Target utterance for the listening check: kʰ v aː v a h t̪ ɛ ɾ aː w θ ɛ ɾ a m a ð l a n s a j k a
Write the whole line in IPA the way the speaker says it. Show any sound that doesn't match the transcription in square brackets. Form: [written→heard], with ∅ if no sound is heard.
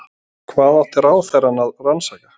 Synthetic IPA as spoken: kʰ v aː [v→ð] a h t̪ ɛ ɾ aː w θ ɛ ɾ a [m→n] a ð [l→r] a n s a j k a